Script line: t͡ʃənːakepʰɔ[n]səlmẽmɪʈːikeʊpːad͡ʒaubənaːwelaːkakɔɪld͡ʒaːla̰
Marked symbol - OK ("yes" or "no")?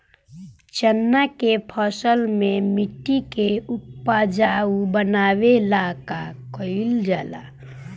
no